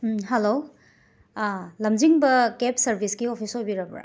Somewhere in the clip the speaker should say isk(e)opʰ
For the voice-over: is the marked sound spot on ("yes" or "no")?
no